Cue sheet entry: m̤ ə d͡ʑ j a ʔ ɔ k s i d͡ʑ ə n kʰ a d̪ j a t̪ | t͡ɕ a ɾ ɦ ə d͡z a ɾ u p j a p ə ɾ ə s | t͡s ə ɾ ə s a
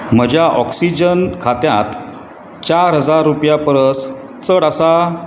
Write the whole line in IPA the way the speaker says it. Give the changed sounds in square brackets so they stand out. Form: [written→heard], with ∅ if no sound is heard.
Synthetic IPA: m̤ ə d͡ʑ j a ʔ ɔ k s i d͡ʑ ə n kʰ a [d̪→t̪] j a t̪ | t͡ɕ a ɾ ɦ ə d͡z a [ɾ→ɾː] u p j a p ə ɾ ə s | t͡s ə [ɾ→ɽ] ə s a